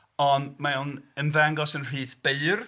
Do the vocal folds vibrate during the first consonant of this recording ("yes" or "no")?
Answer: yes